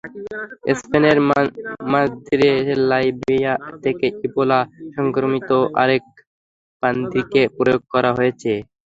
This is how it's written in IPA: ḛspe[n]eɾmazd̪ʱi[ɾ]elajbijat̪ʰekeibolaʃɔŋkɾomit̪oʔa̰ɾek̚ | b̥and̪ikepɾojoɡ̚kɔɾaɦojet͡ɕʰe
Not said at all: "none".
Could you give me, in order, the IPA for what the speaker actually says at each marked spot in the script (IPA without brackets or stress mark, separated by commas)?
n, ɾ